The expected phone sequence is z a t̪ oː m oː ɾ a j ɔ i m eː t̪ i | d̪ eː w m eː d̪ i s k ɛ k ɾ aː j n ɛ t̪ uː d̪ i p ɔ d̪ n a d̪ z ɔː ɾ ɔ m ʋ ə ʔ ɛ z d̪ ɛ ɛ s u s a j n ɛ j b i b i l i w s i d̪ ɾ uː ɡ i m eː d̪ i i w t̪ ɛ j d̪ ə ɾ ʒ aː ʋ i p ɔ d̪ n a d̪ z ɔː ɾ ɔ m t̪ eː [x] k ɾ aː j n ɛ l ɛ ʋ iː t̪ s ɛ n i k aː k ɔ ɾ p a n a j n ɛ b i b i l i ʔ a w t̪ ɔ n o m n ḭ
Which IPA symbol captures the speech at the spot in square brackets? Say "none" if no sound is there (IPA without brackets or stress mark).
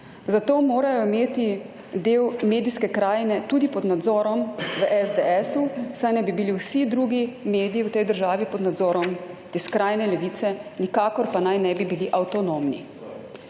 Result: s